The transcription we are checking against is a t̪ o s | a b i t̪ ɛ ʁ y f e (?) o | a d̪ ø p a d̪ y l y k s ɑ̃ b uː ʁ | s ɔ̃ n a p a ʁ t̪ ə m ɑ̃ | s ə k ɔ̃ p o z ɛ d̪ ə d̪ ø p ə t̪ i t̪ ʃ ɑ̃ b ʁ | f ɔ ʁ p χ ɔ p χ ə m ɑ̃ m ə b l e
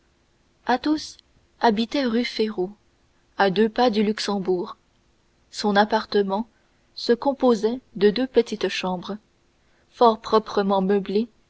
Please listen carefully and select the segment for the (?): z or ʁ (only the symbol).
ʁ